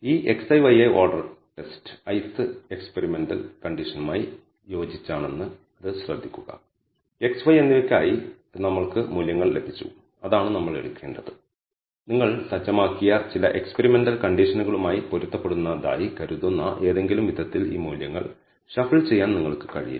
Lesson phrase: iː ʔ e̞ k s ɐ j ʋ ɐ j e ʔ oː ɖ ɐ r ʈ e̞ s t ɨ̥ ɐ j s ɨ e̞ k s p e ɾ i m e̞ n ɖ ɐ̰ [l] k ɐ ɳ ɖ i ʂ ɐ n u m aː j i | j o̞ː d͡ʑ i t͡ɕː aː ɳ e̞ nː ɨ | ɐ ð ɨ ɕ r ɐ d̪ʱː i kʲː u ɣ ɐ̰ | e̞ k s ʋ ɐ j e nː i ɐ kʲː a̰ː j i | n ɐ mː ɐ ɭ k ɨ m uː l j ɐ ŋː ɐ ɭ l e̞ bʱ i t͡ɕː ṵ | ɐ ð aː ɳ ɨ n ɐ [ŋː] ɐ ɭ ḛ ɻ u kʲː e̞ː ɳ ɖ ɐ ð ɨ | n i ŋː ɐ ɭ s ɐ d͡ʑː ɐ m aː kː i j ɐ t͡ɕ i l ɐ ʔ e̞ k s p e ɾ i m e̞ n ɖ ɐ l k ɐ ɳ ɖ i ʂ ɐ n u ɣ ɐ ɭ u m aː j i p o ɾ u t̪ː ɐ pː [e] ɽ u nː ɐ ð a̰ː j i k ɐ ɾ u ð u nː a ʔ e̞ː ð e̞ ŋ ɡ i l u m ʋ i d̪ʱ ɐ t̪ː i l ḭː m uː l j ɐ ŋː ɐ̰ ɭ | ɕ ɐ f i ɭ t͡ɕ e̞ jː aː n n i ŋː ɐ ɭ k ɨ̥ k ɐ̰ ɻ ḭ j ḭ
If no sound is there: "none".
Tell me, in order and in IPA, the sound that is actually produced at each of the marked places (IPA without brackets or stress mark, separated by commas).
l, mː, e